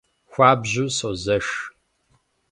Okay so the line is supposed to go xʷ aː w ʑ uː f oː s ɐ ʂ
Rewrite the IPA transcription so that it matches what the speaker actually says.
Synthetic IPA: xʷ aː b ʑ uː s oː z ɐ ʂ